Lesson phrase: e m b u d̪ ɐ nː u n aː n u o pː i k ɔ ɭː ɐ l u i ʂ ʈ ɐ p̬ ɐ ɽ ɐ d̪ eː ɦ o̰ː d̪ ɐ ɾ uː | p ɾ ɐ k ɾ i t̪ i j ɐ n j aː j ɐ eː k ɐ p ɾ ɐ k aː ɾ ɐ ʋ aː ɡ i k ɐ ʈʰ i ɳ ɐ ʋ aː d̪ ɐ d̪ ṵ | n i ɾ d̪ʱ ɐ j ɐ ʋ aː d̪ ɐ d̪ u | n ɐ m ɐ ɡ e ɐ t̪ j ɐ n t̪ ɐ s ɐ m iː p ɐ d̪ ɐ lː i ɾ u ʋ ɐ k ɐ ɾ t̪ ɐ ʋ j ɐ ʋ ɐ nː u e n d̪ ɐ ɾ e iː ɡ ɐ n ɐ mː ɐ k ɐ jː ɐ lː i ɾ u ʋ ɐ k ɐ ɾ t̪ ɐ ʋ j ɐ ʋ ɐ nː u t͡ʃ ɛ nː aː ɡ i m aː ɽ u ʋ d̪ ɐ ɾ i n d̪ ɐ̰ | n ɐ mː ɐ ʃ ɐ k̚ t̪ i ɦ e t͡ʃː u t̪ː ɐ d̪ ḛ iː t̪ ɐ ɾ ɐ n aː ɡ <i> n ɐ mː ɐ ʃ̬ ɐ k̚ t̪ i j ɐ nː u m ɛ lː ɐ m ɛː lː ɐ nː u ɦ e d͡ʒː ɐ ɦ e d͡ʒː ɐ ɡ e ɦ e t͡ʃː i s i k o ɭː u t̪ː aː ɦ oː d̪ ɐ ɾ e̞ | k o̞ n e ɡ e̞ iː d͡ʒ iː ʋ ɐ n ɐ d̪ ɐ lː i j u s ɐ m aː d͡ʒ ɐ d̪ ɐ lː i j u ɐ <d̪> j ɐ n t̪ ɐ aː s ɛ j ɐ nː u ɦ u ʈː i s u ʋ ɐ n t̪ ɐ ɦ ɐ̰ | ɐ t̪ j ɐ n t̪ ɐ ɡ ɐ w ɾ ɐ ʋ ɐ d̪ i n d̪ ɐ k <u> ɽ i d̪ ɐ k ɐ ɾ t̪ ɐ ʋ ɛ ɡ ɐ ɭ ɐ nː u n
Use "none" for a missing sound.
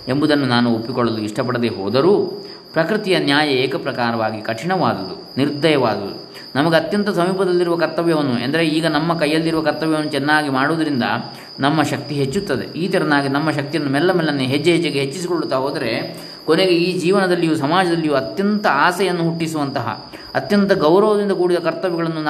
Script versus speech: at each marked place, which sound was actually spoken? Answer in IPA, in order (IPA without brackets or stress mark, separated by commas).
i, t̪, uː